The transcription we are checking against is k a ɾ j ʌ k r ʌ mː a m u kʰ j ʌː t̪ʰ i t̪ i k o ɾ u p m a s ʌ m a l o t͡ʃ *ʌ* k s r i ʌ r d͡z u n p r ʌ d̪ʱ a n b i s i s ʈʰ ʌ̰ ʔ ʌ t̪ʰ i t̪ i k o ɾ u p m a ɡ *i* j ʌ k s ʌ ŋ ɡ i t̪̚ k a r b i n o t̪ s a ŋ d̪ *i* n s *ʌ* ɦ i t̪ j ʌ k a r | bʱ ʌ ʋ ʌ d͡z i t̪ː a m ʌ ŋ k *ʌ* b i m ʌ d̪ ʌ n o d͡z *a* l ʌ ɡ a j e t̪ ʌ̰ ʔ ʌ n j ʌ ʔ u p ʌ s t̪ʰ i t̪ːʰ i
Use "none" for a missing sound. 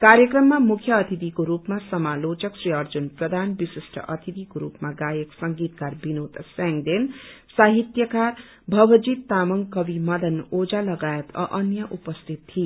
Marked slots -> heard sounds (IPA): ʌ, a, e, a, ʌ, a

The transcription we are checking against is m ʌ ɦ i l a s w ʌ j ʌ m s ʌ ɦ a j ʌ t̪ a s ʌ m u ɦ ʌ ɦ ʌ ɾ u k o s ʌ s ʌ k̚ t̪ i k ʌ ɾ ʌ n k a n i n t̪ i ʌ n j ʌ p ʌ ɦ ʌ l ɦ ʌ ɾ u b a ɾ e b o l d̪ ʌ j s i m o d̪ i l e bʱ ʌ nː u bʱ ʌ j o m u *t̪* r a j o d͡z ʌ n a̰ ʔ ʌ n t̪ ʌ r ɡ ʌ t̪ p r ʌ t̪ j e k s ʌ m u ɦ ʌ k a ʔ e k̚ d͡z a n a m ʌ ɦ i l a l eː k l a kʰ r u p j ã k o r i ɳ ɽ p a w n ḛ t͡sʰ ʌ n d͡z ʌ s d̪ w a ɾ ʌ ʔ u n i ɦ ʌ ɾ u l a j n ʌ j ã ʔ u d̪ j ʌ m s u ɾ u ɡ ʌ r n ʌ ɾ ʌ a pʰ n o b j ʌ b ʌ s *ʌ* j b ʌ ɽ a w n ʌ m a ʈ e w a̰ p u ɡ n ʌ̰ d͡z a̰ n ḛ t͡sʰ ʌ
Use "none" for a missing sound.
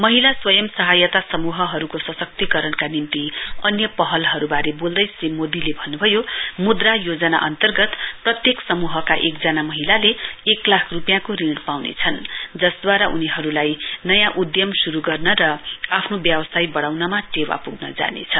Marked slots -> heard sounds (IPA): d̪, a

